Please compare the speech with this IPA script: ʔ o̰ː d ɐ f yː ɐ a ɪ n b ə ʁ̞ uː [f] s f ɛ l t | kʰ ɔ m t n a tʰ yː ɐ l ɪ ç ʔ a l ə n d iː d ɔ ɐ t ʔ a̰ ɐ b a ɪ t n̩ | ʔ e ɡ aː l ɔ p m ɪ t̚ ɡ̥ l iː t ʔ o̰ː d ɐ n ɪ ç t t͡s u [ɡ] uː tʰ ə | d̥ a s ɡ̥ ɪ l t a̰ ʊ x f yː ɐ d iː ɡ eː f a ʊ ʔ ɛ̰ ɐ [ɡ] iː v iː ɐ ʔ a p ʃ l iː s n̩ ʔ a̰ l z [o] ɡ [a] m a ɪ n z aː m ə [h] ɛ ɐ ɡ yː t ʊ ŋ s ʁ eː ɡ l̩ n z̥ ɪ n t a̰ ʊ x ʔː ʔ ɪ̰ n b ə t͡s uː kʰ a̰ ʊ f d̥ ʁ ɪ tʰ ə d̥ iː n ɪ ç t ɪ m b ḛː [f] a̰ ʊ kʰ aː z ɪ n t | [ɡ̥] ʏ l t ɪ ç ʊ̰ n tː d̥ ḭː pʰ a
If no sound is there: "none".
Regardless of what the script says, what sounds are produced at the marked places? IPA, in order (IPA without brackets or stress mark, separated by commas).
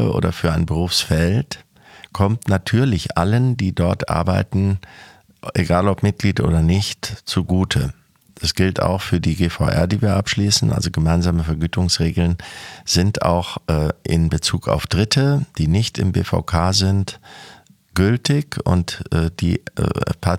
f, ɡ, d, o, ə, f, f, ɡ̥